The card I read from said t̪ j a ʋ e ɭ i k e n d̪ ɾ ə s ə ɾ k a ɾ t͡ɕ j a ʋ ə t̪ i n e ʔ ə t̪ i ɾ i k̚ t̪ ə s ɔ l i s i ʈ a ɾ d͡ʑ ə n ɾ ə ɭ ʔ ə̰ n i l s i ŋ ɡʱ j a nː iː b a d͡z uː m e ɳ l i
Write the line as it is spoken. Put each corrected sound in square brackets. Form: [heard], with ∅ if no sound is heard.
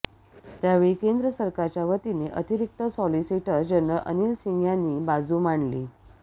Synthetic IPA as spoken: t̪ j a ʋ e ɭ i k e n d̪ ɾ ə s ə ɾ k a ɾ t͡ɕ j a ʋ ə t̪ i n e ʔ ə t̪ i ɾ i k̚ t̪ ə s ɔ l i s i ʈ [ə] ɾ d͡ʑ ə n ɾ ə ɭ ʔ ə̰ n i l s i ŋ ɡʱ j a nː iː b a d͡z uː m [a] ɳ l i